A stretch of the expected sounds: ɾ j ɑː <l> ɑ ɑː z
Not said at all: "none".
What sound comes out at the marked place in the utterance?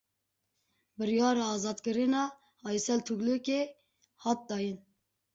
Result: ɾ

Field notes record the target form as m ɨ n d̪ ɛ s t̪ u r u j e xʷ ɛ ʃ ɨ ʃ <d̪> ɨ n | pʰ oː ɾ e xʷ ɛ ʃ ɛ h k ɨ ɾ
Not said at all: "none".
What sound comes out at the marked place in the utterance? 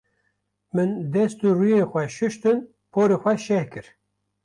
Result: t̪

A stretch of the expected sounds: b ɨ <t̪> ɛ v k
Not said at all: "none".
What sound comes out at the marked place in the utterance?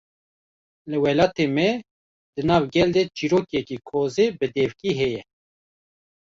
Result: d̪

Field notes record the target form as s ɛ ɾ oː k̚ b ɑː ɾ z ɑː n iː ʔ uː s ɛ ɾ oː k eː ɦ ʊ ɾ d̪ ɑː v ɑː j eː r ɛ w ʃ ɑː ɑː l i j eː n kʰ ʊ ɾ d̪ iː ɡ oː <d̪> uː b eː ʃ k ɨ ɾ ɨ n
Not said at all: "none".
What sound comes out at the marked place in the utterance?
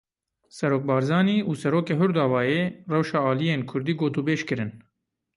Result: t̪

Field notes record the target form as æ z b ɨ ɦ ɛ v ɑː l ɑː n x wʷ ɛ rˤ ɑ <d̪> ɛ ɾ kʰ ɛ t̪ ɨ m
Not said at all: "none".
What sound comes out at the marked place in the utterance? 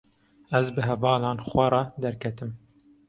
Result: d̪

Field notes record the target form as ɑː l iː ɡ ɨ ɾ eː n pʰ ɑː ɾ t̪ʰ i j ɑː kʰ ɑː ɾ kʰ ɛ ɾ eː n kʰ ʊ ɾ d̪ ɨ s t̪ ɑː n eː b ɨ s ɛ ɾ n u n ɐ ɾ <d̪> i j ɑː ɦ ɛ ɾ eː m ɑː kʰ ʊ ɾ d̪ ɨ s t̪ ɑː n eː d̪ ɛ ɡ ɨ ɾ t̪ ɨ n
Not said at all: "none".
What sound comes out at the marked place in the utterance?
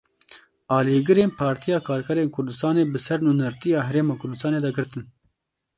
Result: t̪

